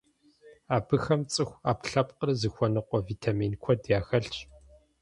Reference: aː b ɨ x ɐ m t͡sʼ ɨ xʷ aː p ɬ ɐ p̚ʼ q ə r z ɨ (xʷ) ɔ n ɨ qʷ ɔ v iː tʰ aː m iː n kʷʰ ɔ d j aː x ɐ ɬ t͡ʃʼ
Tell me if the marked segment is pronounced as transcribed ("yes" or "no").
yes